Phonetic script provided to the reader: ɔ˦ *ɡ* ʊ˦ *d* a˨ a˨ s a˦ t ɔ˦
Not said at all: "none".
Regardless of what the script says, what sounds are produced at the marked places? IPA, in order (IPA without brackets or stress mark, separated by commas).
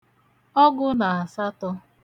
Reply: ɡ, n